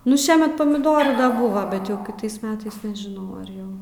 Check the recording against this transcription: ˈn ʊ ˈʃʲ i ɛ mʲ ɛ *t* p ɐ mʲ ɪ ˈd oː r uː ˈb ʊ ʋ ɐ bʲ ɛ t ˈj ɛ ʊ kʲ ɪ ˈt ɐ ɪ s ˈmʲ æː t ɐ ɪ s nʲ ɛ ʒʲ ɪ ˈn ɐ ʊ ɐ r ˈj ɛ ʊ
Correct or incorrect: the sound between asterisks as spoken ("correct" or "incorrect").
correct